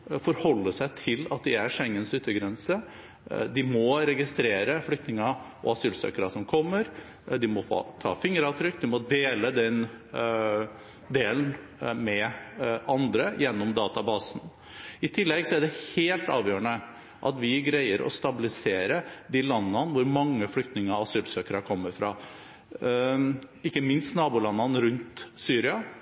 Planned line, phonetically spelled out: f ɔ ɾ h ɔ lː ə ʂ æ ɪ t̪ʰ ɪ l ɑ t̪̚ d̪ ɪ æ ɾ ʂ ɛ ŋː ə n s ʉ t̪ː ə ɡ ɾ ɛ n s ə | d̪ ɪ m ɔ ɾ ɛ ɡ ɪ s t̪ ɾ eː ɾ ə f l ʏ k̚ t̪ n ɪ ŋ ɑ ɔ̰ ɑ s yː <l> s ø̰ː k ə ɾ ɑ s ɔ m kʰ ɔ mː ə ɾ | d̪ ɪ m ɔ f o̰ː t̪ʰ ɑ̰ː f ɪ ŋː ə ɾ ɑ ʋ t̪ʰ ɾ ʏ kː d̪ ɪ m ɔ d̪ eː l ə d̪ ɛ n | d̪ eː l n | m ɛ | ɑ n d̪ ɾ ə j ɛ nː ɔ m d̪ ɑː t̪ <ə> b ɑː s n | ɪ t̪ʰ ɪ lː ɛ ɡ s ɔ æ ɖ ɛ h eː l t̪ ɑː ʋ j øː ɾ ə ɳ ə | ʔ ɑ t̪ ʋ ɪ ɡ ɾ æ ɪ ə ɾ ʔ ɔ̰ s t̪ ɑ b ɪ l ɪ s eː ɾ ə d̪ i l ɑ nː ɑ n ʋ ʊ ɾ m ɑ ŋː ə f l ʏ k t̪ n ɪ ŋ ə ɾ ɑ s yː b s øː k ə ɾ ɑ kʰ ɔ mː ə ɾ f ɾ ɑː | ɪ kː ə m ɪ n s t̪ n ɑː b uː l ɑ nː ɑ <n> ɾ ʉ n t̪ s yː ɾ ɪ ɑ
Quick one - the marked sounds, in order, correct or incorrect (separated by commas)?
correct, incorrect, correct